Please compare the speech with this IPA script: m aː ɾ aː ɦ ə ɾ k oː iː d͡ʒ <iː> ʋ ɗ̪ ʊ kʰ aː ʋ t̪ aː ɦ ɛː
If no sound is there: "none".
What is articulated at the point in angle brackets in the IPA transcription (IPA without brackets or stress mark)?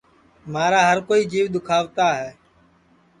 iː